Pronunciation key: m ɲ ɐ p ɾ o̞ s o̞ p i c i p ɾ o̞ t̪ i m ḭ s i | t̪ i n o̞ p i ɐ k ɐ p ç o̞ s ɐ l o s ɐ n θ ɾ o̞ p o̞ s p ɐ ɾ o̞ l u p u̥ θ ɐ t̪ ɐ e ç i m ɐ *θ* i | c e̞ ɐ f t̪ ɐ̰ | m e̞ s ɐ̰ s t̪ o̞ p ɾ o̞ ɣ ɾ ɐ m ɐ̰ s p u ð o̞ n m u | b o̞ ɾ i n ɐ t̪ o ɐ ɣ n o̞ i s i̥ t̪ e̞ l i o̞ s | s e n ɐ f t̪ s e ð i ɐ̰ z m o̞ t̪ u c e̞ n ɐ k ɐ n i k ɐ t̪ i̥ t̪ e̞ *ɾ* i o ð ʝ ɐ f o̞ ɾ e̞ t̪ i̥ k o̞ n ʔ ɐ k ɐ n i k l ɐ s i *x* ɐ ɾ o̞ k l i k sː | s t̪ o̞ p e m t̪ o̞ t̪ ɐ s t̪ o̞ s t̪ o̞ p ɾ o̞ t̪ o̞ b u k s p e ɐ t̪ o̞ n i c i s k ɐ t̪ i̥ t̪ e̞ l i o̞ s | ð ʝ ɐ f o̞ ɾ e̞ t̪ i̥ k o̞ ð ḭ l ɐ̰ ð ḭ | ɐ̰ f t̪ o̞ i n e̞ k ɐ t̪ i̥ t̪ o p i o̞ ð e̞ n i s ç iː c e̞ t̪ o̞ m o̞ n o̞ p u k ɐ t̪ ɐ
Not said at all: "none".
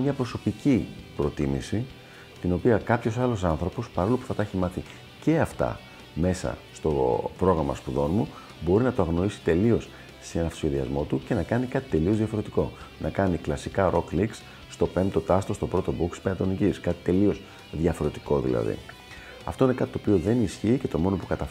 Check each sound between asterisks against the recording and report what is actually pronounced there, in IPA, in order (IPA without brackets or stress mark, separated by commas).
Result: θ, l, k